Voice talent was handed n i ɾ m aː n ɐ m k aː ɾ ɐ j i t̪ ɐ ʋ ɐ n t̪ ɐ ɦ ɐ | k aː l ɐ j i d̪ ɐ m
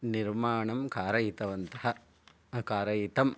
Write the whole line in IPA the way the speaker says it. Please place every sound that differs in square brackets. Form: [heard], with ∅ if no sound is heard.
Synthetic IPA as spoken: n i ɾ m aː [ɳ] ɐ m k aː ɾ ɐ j i t̪ ɐ ʋ ɐ n t̪ ɐ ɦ ɐ | k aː [ɾ] ɐ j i [t̪] ɐ m

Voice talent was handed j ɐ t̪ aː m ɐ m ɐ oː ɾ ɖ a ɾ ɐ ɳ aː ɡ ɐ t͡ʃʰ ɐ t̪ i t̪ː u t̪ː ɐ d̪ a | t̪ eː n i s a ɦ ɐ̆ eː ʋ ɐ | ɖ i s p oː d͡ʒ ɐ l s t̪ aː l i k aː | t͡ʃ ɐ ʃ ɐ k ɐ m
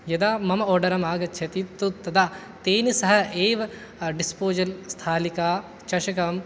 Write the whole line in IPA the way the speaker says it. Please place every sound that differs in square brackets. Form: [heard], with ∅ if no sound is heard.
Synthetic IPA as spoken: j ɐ [d̪] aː m ɐ m ɐ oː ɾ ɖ [ɐ] ɾ ɐ [m] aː ɡ ɐ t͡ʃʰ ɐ t̪ i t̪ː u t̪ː ɐ d̪ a | t̪ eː n i s [ɐ] ɦ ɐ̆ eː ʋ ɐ | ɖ i s p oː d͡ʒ ɐ l s [t̪ʰ] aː l i k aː | t͡ʃ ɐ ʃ ɐ k ɐ m

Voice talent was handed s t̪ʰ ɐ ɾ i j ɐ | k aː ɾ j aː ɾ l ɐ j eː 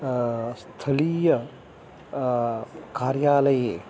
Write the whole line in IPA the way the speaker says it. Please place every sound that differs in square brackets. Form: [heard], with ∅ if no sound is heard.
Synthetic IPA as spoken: s t̪ʰ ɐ [l] i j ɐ | k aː ɾ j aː [∅] l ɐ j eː

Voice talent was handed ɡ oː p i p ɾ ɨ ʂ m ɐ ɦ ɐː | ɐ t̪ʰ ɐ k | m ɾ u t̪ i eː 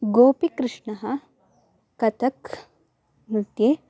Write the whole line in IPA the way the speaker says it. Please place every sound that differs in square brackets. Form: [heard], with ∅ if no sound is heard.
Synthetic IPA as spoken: ɡ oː p i [k] ɾ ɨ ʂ [ɳ] ɐ ɦ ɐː | ɐ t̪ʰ ɐ k | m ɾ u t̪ [j] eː

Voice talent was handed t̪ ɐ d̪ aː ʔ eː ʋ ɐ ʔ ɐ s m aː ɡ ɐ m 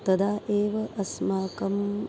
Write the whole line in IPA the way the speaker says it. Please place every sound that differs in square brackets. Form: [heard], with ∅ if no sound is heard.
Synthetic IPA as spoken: t̪ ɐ d̪ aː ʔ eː ʋ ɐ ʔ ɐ s m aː [k] ɐ m

